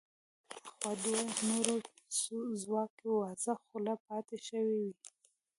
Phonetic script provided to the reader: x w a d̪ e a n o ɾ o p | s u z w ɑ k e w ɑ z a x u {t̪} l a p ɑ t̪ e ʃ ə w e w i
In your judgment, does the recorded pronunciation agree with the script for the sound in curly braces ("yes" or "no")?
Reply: no